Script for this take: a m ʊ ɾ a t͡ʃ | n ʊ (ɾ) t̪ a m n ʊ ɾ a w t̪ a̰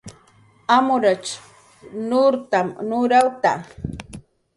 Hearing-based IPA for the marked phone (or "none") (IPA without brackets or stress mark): ɾ